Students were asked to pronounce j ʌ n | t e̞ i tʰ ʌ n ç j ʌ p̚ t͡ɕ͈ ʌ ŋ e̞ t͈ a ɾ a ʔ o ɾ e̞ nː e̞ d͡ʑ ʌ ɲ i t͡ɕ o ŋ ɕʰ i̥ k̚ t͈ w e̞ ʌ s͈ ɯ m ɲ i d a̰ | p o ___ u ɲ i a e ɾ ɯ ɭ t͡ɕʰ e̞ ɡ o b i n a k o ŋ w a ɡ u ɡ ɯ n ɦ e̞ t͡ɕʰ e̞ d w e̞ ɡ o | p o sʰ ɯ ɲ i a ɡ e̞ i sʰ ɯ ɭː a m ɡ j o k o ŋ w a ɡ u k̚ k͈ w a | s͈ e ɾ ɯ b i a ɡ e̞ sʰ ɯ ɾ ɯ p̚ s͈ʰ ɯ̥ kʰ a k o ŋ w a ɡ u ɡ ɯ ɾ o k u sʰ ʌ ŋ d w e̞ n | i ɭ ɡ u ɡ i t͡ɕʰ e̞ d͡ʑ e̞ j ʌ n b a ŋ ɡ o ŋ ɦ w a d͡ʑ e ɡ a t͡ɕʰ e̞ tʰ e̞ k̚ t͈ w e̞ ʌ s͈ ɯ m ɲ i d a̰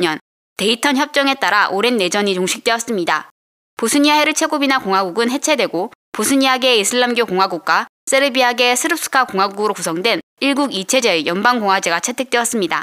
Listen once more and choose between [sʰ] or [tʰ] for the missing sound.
sʰ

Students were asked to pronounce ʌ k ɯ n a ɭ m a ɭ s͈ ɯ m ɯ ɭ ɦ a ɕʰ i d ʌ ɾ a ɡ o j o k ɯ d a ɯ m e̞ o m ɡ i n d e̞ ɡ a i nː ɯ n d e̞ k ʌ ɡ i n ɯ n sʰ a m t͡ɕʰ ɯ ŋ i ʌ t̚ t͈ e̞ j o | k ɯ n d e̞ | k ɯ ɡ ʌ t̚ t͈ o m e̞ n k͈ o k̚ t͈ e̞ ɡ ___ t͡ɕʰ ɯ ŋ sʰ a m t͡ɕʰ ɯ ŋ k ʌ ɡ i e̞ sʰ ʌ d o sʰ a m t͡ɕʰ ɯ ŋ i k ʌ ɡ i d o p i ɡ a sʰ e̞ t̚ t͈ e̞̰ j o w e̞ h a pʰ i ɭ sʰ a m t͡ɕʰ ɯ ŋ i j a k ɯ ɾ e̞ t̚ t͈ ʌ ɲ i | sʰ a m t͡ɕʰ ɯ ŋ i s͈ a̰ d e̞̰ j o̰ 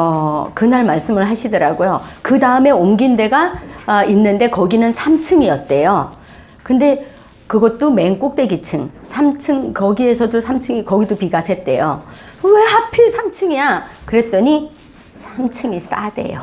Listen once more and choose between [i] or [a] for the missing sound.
i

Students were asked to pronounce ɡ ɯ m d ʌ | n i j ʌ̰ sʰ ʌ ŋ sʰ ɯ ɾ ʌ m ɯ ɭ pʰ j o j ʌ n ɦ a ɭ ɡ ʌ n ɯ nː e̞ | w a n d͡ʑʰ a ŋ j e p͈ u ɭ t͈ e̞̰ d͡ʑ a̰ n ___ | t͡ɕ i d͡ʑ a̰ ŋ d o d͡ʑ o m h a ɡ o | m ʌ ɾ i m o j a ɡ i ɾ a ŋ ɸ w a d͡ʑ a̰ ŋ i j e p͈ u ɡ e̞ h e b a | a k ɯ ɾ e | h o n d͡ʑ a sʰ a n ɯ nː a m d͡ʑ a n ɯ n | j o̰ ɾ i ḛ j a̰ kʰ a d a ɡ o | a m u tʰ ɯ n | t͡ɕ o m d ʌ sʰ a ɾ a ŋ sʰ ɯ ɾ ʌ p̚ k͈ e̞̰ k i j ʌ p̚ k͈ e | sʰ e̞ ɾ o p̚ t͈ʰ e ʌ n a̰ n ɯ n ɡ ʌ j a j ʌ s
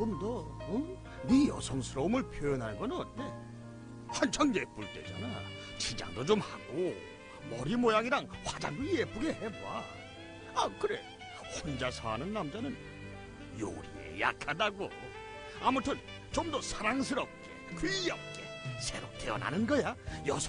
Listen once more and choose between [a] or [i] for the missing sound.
a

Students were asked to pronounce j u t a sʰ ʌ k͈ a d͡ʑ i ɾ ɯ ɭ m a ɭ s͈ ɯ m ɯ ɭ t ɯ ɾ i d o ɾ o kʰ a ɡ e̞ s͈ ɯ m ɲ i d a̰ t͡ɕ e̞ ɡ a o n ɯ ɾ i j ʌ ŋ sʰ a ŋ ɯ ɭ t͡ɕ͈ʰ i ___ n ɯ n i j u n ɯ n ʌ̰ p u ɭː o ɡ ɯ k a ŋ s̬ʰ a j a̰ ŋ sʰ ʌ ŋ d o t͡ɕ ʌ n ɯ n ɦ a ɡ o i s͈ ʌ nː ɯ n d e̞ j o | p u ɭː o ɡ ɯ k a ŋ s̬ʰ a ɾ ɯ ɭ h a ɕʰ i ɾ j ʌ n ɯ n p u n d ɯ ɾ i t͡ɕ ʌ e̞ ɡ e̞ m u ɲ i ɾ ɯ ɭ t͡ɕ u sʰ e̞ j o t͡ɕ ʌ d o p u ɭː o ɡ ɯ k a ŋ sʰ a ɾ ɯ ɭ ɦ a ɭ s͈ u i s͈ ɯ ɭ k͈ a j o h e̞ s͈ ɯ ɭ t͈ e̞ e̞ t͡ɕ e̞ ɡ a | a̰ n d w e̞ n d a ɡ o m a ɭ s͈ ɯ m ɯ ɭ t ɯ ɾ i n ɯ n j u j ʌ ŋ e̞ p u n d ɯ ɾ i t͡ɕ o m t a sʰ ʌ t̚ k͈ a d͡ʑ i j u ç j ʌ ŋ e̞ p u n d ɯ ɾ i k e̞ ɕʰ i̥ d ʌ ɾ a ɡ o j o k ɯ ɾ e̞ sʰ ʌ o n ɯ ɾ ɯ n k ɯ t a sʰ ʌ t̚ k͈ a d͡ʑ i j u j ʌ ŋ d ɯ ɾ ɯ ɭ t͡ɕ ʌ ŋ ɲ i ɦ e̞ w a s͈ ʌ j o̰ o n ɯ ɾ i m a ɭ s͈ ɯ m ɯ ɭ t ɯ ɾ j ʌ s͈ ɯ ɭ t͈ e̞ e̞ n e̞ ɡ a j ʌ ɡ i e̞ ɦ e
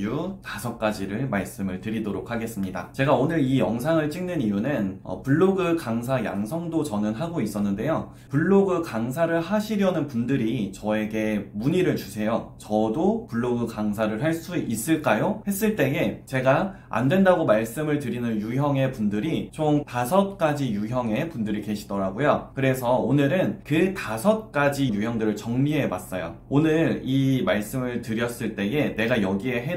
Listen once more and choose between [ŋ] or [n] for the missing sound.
ŋ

